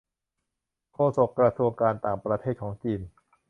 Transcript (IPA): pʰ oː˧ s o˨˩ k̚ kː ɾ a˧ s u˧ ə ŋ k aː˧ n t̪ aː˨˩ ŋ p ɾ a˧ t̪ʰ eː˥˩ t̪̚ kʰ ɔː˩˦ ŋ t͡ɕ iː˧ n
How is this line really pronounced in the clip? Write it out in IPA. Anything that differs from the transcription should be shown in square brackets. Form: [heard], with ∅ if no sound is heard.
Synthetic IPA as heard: [kʰ] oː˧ s o˨˩ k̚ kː ɾ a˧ s u˧ ə ŋ k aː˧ n t̪ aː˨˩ ŋ p ɾ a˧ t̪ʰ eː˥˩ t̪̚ kʰ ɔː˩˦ ŋ t͡ɕ iː˧ n